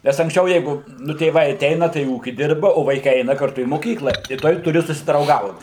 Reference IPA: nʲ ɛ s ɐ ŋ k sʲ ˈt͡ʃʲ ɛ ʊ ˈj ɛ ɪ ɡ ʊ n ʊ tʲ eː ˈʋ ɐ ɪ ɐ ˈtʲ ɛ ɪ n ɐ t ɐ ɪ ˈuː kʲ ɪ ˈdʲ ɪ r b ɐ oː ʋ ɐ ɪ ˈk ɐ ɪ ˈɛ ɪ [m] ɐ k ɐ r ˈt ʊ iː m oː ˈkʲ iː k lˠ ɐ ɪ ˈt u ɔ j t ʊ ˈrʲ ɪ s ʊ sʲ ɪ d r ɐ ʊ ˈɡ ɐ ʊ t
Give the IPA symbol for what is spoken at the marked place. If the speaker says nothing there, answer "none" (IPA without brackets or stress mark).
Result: n